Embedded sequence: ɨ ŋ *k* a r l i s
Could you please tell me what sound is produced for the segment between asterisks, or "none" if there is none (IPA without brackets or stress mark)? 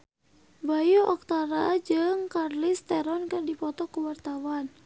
k